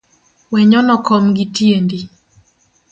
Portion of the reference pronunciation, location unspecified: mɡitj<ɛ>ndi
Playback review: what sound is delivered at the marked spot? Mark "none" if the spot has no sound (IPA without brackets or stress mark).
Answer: e